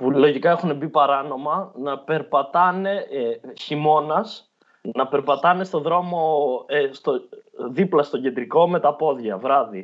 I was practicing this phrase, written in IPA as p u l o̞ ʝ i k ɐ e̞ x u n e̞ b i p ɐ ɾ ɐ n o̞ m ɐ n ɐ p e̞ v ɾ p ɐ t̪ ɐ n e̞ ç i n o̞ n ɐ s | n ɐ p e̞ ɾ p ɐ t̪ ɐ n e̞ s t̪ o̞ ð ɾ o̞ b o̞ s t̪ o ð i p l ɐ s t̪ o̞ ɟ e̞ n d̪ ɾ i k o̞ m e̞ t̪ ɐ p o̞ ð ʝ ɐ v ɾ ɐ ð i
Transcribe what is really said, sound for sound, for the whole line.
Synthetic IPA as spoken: p u l o̞ ʝ i k ɐ e̞ x u n e̞ b i p ɐ ɾ ɐ n o̞ m ɐ n ɐ p e̞ ɾ p ɐ t̪ ɐ n e̞ ç i m o̞ n ɐ s | n ɐ p e̞ ɾ p ɐ t̪ ɐ n e̞ s t̪ o̞ ð ɾ o̞ m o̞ s t̪ o ð i p l ɐ s t̪ o̞ ɟ e̞ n d̪ ɾ i k o̞ m e̞ t̪ ɐ p o̞ ð ʝ ɐ v ɾ ɐ ð i